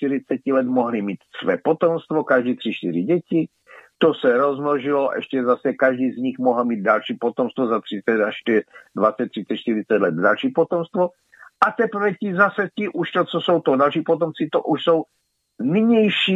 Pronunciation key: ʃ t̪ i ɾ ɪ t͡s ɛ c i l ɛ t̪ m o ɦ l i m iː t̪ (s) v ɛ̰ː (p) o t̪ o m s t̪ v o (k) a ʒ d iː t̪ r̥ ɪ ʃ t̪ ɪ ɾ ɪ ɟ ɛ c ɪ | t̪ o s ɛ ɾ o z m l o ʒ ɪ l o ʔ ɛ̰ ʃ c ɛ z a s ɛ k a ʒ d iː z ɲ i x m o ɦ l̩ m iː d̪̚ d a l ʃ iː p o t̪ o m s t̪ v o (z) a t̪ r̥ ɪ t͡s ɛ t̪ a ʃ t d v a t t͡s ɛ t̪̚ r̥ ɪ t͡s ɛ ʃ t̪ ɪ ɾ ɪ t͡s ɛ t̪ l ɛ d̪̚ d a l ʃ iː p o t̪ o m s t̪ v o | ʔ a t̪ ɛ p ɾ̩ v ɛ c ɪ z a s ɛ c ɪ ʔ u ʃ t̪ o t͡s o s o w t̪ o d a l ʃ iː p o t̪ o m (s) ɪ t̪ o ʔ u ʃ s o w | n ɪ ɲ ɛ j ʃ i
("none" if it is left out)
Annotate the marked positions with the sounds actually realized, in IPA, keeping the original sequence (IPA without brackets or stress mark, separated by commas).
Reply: s, p, k, z, t͡s